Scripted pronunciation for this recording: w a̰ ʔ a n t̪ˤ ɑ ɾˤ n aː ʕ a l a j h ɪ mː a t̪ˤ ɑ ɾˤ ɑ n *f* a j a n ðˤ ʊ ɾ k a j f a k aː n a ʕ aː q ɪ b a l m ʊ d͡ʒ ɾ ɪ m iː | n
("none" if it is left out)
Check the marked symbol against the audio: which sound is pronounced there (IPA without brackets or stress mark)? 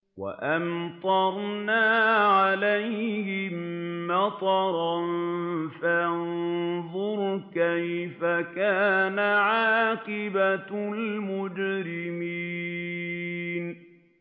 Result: f